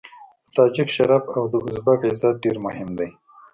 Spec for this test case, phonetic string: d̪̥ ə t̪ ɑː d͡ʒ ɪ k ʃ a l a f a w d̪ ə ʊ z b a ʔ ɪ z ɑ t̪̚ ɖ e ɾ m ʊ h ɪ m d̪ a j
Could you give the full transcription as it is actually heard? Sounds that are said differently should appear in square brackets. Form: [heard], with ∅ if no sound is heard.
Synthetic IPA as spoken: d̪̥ ə t̪ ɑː d͡ʒ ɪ k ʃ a [ɾ] a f a w d̪ ə ʊ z b a [k] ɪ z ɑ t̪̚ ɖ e ɾ m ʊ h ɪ m d̪ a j

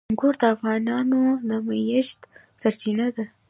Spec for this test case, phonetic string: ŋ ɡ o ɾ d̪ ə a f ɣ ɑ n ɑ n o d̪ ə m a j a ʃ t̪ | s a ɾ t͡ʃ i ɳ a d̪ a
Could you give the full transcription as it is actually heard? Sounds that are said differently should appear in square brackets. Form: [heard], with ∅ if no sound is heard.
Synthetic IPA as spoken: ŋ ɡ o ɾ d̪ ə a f ɣ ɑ n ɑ n o d̪ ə m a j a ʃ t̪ | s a ɾ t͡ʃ i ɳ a d̪ a

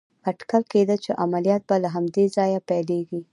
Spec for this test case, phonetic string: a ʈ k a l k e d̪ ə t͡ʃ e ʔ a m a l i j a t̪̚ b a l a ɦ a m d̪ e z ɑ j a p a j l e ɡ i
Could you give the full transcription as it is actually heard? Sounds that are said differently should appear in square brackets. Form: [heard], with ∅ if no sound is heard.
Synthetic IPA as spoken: a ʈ k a l k e d̪ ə t͡ʃ e ʔ a m a l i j [ɑ] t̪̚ b a l a ɦ a m d̪ e z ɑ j a p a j l e ɡ i

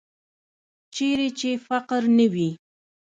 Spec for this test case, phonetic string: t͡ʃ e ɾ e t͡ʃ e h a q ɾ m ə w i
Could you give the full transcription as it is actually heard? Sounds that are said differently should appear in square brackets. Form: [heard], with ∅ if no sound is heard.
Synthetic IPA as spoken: t͡ʃ e ɾ e t͡ʃ e [f] a q ɾ [n] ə w i

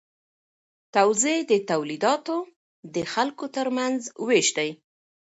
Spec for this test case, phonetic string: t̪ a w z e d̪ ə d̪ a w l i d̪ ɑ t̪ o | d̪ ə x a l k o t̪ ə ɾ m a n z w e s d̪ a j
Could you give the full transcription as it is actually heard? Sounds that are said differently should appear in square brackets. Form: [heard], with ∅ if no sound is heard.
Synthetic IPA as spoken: t̪ a w z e d̪ ə [t̪] a w l i d̪ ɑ t̪ o | d̪ ə x a l k o t̪ ə ɾ m a n z w e [ʃ] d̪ a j

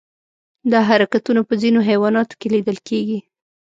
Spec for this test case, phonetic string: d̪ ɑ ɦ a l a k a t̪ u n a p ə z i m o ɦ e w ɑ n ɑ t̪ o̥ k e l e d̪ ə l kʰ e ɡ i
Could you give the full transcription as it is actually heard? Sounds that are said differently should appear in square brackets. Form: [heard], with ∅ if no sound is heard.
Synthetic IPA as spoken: d̪ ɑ ɦ a [ɾ] a k a t̪ u n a p ə z i [n] o ɦ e w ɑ n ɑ t̪ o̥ k e l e d̪ ə l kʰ e ɡ i

